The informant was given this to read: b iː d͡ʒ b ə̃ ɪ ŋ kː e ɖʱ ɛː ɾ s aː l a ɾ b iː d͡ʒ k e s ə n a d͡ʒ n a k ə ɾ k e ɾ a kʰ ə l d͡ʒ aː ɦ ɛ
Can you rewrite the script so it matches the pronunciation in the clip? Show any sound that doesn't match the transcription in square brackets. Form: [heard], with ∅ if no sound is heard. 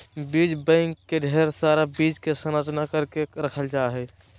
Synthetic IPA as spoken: b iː d͡ʒ b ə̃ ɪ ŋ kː e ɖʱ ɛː ɾ s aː [ɾ] a [∅] b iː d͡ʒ k e s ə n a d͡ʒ n a k ə ɾ k e ɾ [ə] kʰ ə l d͡ʒ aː ɦ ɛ